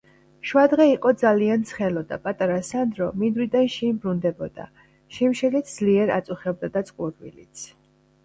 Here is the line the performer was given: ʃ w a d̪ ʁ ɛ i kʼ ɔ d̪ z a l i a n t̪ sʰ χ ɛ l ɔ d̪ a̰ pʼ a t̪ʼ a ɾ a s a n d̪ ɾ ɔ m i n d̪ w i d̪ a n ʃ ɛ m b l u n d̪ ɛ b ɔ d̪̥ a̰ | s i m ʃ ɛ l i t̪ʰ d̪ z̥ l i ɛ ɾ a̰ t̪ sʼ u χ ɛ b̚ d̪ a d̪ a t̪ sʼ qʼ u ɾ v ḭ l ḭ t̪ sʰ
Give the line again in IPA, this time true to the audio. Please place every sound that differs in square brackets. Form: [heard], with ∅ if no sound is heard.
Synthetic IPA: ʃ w a d̪ ʁ ɛ i [qʼ] ɔ d̪ z a l i a n t̪ sʰ χ ɛ l ɔ d̪ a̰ pʼ a t̪ʼ a ɾ a s a n d̪ ɾ ɔ m i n d̪ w i d̪ a n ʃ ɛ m b [ɾ] u n d̪ ɛ b ɔ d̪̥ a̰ | [ʃ] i m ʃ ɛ l i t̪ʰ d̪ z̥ l i ɛ ɾ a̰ t̪ sʼ u χ ɛ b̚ d̪ a d̪ a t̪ sʼ qʼ u ɾ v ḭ l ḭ t̪ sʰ

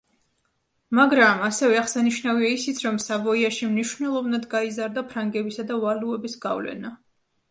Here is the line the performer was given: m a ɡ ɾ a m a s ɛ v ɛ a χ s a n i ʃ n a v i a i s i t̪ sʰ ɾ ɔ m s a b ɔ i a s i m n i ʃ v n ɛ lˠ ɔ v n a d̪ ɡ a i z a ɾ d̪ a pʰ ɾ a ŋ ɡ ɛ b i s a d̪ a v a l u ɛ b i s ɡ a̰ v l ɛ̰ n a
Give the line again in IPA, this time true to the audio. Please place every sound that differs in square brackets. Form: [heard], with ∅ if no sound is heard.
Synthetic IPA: m a ɡ ɾ a m a s ɛ v ɛ a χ s a n i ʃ n a v i a i s i t̪ sʰ ɾ ɔ m s a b ɔ i a [ʃ] i m n i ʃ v n ɛ lˠ ɔ v n a d̪ ɡ a i z a ɾ d̪ a pʰ ɾ a ŋ ɡ ɛ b i s a d̪ a v a l u ɛ b i s ɡ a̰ v l ɛ̰ n a

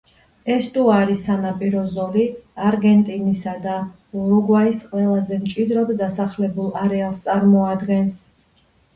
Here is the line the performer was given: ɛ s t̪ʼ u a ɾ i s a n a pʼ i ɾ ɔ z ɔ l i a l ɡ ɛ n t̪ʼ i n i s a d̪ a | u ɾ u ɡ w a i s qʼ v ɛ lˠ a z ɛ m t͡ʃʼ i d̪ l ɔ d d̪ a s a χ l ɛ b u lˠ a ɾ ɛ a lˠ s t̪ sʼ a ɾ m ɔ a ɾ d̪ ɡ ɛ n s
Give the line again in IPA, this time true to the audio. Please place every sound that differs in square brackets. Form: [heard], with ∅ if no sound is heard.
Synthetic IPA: ɛ s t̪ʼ u a ɾ i s a n a pʼ i ɾ ɔ z ɔ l i a [ɾ] ɡ ɛ n t̪ʼ i n i s a d̪ a | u ɾ u ɡ w a i s qʼ [w] ɛ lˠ a z ɛ m t͡ʃʼ i d̪ [ɾ] ɔ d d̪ a s a χ l ɛ b u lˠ a ɾ ɛ a lˠ s t̪ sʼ a ɾ m ɔ a [∅] d̪ ɡ ɛ n s

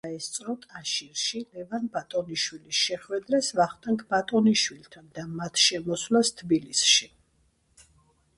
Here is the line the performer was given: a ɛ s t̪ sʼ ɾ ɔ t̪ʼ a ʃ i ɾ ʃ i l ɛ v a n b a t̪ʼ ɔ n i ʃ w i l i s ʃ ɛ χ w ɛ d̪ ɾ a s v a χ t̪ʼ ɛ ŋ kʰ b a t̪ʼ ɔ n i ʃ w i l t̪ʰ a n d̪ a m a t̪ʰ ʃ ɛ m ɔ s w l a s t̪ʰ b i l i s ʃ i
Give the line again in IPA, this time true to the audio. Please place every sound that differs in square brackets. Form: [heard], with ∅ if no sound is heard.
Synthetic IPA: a ɛ s t̪ sʼ ɾ ɔ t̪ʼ a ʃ i ɾ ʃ i l ɛ v a n b a t̪ʼ ɔ n i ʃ w i l i s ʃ ɛ χ w ɛ d̪ ɾ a s v a χ t̪ʼ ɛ ŋ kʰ b a t̪ʼ ɔ n i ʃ w i l t̪ʰ a n d̪ a m a t̪ʰ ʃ ɛ m ɔ s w l a s t̪ʰ b i l i s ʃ i

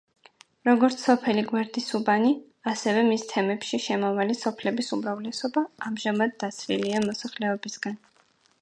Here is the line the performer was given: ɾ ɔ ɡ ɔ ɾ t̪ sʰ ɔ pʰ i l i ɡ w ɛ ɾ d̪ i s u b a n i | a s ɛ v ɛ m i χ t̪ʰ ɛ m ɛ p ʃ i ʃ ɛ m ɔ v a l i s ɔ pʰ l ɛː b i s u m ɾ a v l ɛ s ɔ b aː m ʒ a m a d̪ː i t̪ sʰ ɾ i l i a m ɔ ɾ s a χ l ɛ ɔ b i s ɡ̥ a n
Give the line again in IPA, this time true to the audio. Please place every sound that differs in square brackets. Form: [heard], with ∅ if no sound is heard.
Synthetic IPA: ɾ ɔ ɡ ɔ ɾ t̪ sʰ ɔ pʰ [ɛ] l i ɡ w ɛ ɾ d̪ i s u b a n i | a s ɛ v ɛ m i [s] t̪ʰ ɛ m ɛ p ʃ i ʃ ɛ m ɔ v a l i s ɔ pʰ l [ɛ] b i s u m ɾ a v l ɛ s ɔ b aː m ʒ a m a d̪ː [a] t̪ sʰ ɾ i l i a m ɔ [∅] s a χ l ɛ ɔ b i s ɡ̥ a n

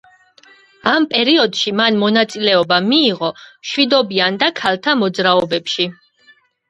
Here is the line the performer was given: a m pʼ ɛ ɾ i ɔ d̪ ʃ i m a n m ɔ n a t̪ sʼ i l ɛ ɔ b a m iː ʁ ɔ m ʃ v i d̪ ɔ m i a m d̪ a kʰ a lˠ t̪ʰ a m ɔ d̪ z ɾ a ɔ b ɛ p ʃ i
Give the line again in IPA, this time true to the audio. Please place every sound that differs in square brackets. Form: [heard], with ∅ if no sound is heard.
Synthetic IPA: a m pʼ ɛ ɾ i ɔ d̪ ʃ i m a n m ɔ n a t̪ sʼ i l ɛ ɔ b a m iː ʁ ɔ m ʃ [w] i d̪ ɔ [b] i a [n] d̪ a kʰ a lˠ t̪ʰ a m ɔ d̪ z ɾ a ɔ b ɛ p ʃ i

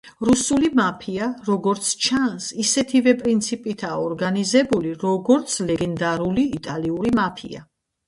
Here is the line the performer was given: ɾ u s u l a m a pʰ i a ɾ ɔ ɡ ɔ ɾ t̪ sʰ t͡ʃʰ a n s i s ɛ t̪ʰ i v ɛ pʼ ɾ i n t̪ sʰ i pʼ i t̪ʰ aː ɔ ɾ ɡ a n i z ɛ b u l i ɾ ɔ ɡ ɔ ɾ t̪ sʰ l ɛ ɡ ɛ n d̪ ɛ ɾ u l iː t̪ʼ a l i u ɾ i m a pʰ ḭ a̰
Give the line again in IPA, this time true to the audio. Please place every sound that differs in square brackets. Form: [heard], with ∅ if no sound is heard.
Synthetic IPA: ɾ u s u l [i] m a pʰ i a ɾ ɔ ɡ ɔ ɾ t̪ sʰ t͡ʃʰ a n s i s ɛ t̪ʰ i v ɛ pʼ ɾ i n t̪ sʰ i pʼ i t̪ʰ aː ɔ ɾ ɡ a n i z ɛ b u l i ɾ ɔ ɡ ɔ ɾ t̪ sʰ l ɛ ɡ ɛ n d̪ [a] ɾ u l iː t̪ʼ a l i u ɾ i m a pʰ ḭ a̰

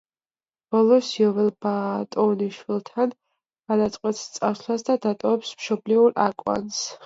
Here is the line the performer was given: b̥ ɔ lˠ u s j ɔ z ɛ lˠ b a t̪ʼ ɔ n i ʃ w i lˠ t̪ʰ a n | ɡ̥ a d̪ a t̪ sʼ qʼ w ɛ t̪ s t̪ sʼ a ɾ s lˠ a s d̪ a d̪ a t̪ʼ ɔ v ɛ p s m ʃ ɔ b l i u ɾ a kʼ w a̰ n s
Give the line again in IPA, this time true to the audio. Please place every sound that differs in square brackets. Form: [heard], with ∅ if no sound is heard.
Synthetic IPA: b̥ ɔ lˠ [ɔ] s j ɔ [v] ɛ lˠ b a t̪ʼ ɔ n i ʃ w i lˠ t̪ʰ a n | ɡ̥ a d̪ a t̪ sʼ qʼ w ɛ t̪ s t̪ sʼ a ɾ s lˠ a s d̪ a d̪ a t̪ʼ ɔ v ɛ p s m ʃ ɔ b l i u ɾ a kʼ w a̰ n s

